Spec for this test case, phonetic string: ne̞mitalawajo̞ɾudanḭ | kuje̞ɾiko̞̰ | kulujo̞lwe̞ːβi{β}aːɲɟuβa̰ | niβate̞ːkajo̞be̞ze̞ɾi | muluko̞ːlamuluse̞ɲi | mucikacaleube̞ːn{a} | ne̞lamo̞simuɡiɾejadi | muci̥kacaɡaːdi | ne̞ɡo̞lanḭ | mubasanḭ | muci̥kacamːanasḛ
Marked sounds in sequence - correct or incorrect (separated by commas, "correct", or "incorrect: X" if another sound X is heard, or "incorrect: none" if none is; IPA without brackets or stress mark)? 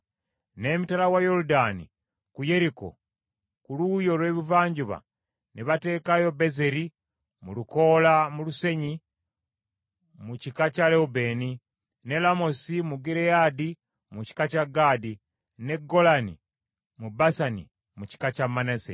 incorrect: v, incorrect: i